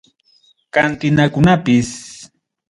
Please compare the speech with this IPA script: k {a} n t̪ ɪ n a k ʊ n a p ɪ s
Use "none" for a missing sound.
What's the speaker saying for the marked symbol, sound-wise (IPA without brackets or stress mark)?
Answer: a